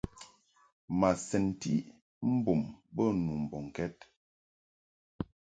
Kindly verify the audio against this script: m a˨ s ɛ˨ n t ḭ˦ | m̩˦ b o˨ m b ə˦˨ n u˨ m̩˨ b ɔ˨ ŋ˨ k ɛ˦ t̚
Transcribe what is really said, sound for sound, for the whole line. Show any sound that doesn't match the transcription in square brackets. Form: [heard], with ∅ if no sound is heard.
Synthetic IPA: m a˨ s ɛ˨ n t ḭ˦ | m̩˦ b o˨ m b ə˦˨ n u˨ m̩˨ b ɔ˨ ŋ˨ k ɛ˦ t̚